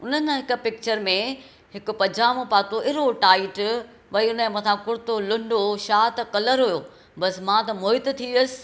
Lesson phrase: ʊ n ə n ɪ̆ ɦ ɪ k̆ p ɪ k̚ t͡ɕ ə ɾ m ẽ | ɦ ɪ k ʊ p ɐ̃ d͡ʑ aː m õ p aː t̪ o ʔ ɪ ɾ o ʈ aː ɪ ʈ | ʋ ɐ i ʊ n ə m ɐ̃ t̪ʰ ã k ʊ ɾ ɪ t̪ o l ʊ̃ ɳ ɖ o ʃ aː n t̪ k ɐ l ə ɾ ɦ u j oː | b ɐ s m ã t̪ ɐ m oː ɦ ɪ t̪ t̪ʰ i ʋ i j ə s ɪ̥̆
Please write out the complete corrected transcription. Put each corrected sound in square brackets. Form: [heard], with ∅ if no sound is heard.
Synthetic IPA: ʊ n ə n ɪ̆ ɦ ɪ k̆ p ɪ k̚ t͡ɕ ə ɾ m ẽ | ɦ ɪ k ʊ p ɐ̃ d͡ʑ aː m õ p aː t̪ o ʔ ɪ ɾ o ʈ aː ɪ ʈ | ʋ ɐ i ʊ n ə m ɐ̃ t̪ʰ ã k ʊ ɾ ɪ t̪ o l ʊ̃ ɳ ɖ o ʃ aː [∅] t̪ k ɐ l ə ɾ ɦ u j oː | b ɐ s m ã t̪ ɐ m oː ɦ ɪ t̪ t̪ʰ i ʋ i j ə s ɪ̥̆